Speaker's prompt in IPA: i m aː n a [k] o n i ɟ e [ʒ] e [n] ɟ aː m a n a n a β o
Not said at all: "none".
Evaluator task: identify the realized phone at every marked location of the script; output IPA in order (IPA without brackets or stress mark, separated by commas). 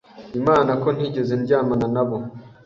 k, z, n